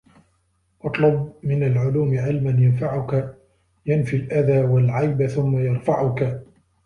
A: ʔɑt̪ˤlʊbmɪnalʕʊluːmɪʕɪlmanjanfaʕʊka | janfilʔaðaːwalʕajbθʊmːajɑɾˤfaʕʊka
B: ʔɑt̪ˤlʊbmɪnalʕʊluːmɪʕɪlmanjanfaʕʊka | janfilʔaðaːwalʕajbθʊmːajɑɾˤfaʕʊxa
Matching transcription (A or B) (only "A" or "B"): A